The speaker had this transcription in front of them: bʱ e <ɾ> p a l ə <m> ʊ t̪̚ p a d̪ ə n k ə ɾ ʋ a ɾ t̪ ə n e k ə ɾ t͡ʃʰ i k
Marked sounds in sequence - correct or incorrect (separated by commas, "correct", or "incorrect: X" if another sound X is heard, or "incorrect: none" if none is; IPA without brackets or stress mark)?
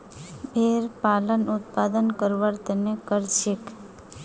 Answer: correct, incorrect: n